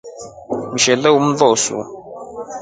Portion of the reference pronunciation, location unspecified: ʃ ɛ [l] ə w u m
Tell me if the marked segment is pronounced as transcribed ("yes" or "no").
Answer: yes